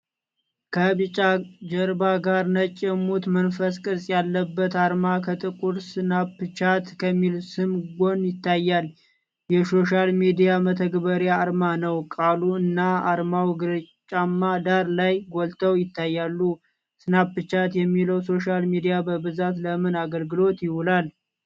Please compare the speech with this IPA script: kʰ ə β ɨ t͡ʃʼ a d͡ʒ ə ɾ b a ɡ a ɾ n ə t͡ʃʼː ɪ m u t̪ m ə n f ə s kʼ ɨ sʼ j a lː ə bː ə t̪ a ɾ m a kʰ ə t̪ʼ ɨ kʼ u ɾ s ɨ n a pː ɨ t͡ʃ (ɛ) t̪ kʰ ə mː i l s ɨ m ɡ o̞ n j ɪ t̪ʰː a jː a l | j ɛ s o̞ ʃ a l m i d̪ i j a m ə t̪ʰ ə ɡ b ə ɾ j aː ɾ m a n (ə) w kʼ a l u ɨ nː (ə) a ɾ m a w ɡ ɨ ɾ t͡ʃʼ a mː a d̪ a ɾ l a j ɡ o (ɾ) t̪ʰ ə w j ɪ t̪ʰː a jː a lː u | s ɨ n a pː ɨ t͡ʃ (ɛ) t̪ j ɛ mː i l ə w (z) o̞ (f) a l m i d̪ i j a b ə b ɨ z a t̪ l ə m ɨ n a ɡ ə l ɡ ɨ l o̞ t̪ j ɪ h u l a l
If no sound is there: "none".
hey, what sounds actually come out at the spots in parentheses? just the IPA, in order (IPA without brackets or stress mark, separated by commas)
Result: a, ə, a, l, a, s, ʃ